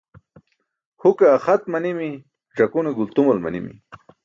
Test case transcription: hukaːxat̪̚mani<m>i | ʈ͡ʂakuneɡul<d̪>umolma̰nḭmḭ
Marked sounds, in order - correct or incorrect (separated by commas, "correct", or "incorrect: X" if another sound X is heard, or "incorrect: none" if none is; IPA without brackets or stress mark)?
correct, incorrect: t̪